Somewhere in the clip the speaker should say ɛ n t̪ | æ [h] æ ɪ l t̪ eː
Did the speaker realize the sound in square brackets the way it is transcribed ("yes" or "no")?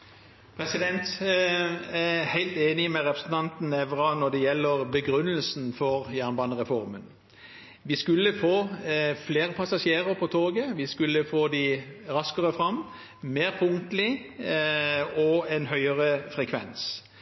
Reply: yes